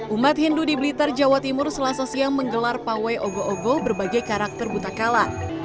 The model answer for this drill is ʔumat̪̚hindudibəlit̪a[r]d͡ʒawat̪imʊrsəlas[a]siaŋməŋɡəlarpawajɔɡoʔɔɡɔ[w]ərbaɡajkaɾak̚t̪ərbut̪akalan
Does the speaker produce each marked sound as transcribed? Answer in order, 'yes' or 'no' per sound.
yes, yes, no

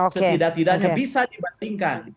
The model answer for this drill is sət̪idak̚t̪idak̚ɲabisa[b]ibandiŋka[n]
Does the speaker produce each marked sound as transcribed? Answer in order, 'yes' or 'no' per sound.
no, yes

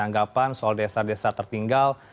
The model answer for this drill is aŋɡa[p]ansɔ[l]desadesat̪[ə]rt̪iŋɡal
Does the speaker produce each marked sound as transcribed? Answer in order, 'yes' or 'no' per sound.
yes, yes, yes

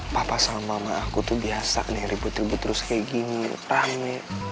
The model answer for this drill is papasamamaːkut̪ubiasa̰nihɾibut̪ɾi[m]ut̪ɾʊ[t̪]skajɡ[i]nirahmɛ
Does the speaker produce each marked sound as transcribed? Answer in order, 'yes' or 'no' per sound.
no, no, yes

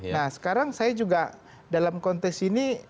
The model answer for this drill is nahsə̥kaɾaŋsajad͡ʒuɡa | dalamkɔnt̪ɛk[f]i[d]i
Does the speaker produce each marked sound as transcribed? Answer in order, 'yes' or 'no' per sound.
no, no

